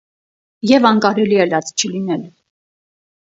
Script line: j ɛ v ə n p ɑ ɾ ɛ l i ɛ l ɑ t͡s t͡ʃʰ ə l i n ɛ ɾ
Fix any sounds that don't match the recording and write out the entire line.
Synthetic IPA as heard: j ɛ v ɑ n k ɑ ɾ ɛ l i ɛ l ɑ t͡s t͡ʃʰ ə l i n ɛ l

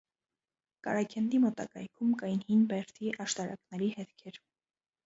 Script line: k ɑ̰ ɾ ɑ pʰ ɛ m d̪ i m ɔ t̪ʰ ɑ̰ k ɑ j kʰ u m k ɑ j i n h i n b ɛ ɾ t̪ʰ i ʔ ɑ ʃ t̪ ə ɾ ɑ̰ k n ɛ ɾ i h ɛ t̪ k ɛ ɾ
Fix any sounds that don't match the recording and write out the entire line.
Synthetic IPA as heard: k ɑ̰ ɾ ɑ kʰ ɛ n d̪ i m ɔ t̪ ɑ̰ k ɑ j kʰ u m k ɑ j i n h i n b ɛ ɾ t̪ʰ i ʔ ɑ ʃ t̪ ɑ ɾ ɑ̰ k n ɛ ɾ i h ɛ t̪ kʰ ɛ ɾ

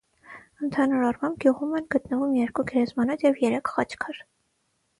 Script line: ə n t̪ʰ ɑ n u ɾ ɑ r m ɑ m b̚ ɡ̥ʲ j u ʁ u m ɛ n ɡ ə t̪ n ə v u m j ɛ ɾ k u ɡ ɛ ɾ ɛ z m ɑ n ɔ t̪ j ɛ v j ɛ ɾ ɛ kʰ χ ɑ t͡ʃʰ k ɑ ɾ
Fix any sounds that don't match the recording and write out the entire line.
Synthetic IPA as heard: ə n t̪ʰ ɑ n u ɾ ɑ r m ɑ m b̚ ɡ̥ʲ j u ʁ u m ɛ n ɡ ə t̪ n ə v u m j ɛ ɾ k u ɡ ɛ ɾ ɛ z m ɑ n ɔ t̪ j ɛ v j ɛ ɾ ɛ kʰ χ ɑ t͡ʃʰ kʰ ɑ ɾ

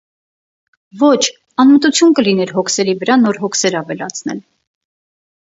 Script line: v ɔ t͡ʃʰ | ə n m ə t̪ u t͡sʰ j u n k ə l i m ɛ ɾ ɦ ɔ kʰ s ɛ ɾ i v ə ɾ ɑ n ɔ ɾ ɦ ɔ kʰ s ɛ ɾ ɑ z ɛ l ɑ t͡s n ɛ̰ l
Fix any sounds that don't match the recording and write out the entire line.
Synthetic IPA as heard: v ɔ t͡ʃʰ | ɑ n m ə t̪ u t͡sʰ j u n k ə l i n ɛ ɾ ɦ ɔ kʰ s ɛ ɾ i v ə ɾ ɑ n ɔ ɾ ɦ ɔ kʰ s ɛ ɾ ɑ v ɛ l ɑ t͡sʰ n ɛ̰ l

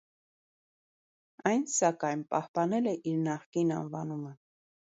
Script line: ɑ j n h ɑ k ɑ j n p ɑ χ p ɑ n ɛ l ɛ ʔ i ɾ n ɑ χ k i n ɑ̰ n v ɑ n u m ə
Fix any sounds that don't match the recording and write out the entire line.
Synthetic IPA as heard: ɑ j n s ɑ k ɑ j n p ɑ h p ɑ n ɛ l ɛ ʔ i ɾ n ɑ χ k i n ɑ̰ n v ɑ n u m ə

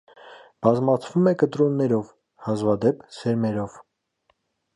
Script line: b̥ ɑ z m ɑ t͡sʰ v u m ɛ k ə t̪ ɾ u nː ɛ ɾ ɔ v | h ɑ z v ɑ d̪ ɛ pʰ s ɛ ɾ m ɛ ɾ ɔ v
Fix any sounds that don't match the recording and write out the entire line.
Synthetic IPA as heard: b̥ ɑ z m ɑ t͡sʰ v u m ɛ k ə t̪ ɾ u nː ɛ ɾ ɔ v | h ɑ z v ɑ d̪ ɛ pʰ s ɛ ɾ m ɛ ɾ ɔ v

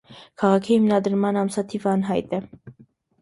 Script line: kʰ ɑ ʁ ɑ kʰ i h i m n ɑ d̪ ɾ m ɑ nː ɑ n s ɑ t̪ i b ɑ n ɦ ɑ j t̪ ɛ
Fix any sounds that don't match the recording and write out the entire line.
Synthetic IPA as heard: kʰ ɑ ʁ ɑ kʰ i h i m n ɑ d̪ ɾ m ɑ n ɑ m s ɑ t̪ʰ i v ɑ n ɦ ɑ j t̪ ɛ

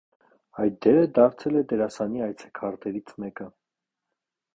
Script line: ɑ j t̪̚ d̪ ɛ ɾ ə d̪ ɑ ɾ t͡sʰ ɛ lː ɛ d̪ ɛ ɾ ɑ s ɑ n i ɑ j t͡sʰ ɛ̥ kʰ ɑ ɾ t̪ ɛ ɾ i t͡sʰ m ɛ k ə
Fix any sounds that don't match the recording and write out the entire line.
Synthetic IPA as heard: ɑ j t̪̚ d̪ ɛ ɾ ə d̪ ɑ ɾ t͡sʰ ɛ l ɛ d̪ ɛ ɾ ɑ s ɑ n i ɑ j t͡sʰ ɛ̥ kʰ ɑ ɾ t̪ ɛ ɾ i t͡sʰ m ɛ k ə

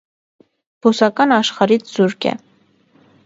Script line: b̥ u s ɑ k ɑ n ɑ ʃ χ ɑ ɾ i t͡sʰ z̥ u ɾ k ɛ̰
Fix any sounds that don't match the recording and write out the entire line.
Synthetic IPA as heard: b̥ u s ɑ k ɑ n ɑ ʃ χ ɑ ɾ i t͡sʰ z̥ u ɾ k ɛ̰

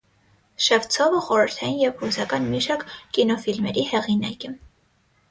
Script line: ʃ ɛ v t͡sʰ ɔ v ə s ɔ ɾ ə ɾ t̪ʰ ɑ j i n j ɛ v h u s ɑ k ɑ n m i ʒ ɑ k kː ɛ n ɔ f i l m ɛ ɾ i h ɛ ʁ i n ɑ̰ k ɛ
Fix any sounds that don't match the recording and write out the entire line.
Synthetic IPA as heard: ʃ ɛ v t͡sʰ ɔ v ə χ ɔ ɾ ə ɾ t̪ʰ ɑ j i n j ɛ v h u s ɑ k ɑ n m i ʃ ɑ k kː i n ɔ f i l m ɛ ɾ i h ɛ ʁ i n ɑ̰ k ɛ

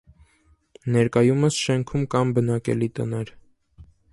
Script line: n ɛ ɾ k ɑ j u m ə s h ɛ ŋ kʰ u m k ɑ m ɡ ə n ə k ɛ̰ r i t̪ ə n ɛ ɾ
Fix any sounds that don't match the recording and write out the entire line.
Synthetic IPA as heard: n ɛ ɾ k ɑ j u m ə s ʃ ɛ ŋ kʰ u m k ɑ m b ə n ɑ k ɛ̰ l i t̪ ə n ɛ ɾ

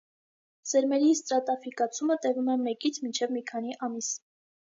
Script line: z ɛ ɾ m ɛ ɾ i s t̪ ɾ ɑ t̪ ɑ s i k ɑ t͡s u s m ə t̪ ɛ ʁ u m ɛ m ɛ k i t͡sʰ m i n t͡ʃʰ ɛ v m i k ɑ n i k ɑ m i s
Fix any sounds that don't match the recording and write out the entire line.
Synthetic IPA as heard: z ɛ ɾ m ɛ ɾ i s t̪ ɾ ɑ t̪ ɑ f i k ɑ t͡sʰ u m ə t̪ ɛ v u m ɛ m ɛ k i t͡sʰ m i n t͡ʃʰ ɛ v m i kʰ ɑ n i ʔ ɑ m i s

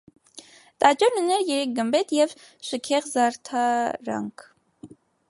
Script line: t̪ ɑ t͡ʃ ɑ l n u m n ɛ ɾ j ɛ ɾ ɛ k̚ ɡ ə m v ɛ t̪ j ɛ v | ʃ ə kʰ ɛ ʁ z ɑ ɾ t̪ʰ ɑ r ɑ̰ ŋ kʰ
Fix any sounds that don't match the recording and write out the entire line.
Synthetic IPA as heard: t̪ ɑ t͡ʃ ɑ ɾ n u n ɛ ɾ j ɛ ɾ ɛ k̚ ɡ ə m b ɛ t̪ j ɛ v | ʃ ə kʰ ɛ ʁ z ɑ ɾ t̪ʰ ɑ ɾ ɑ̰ ŋ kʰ

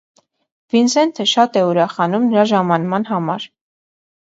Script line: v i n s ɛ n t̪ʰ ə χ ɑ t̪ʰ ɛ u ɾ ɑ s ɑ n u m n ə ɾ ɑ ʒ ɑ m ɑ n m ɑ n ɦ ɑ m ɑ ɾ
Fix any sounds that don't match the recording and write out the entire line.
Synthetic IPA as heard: v i n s ɛ n t̪ʰ ə ʃ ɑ t̪ ɛ u ɾ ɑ χ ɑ n u m n ə ɾ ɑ ʒ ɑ m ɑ n m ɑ n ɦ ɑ m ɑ ɾ

